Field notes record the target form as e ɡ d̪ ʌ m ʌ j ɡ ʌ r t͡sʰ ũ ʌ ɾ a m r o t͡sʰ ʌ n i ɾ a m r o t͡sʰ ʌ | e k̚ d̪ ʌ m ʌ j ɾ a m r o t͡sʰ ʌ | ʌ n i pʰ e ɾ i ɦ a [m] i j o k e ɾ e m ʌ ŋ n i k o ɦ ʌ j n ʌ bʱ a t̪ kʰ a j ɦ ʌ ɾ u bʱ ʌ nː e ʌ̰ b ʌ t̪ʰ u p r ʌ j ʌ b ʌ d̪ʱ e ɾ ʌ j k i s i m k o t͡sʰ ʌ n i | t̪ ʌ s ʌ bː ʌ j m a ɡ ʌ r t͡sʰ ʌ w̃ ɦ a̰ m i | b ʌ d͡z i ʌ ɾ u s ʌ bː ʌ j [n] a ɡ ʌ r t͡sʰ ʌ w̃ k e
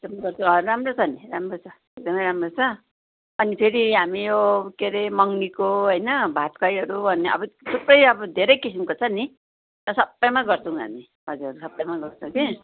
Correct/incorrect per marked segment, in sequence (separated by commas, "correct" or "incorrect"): correct, incorrect